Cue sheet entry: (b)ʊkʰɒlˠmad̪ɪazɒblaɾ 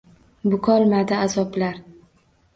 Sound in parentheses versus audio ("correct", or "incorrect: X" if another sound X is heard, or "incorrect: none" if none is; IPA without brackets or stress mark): correct